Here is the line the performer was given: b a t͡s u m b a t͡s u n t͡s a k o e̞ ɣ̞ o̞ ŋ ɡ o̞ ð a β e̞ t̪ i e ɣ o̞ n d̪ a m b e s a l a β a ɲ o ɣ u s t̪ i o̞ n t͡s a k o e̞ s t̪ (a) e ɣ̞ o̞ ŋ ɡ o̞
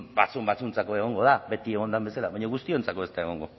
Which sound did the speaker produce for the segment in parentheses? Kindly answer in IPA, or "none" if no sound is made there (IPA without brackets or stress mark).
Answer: a